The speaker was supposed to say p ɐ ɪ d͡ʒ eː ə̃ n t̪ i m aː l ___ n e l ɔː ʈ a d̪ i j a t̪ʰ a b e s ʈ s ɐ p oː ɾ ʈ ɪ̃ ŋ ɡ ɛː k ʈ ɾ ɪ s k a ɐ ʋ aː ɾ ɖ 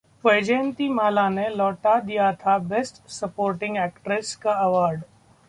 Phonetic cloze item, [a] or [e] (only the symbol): a